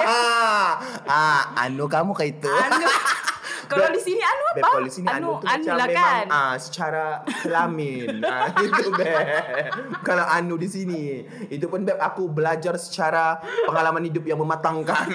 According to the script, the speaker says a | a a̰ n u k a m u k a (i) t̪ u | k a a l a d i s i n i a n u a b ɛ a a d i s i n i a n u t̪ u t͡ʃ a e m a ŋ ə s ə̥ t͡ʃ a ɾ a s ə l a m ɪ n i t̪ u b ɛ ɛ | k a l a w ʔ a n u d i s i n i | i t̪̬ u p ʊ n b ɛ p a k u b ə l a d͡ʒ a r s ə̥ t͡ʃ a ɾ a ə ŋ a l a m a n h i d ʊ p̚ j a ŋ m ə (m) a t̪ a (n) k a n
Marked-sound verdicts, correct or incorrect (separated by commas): correct, correct, incorrect